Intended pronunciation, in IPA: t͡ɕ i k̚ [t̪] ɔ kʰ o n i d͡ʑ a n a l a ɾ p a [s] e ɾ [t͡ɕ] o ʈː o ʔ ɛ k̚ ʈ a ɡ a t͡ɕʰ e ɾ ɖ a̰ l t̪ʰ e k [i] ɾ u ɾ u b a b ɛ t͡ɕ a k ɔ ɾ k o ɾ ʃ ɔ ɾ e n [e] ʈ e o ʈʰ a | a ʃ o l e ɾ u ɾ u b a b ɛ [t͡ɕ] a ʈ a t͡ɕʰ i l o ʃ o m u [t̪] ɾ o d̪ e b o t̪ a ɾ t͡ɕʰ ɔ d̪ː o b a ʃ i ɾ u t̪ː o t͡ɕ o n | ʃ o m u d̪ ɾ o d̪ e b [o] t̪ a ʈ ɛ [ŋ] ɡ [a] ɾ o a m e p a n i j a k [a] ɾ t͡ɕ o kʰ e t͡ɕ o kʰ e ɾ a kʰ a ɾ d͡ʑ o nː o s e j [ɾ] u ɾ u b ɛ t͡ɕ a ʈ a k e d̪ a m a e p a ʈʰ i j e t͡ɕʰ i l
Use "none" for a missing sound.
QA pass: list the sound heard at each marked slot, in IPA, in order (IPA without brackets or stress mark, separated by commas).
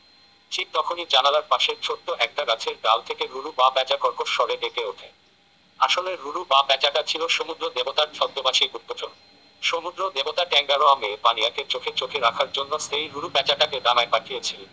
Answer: t̪, ʃ, t͡ɕʰ, e, e, t͡ɕ, d̪, o, ŋ, a, e, ɾ